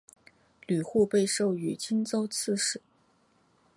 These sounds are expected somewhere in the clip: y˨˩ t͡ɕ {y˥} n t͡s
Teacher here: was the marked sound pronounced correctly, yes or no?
no